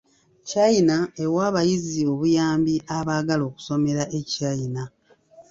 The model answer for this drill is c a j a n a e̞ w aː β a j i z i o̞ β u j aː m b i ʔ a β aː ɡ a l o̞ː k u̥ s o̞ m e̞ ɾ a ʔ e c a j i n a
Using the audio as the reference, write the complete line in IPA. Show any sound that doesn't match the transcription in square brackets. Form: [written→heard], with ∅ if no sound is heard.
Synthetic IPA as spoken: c a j [a→i] n a e̞ w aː β a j i z i o̞ β u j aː m b i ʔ a β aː ɡ a l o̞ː k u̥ s o̞ m e̞ ɾ a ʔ e c a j i n a